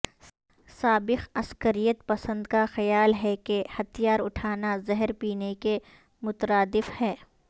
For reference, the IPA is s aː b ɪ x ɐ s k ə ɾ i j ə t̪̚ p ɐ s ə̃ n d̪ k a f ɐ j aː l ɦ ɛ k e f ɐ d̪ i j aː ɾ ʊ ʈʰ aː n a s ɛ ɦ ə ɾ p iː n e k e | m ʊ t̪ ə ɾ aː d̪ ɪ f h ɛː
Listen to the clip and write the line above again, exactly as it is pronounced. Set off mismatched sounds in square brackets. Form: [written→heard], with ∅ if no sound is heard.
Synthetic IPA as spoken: s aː b ɪ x ɐ s k ə ɾ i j ə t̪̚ p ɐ s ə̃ n d̪ k a [f→x] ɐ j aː l ɦ ɛ k e [f→h] ɐ [d̪→t̪] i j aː ɾ ʊ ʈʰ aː n a [s→z] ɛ ɦ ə ɾ p iː n e k e | m ʊ t̪ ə ɾ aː d̪ ɪ f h ɛː